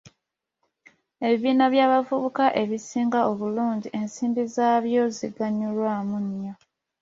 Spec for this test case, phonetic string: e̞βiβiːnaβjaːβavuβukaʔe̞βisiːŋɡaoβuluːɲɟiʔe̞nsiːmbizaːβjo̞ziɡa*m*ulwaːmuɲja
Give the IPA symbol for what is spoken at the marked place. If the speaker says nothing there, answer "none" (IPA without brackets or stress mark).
ɲ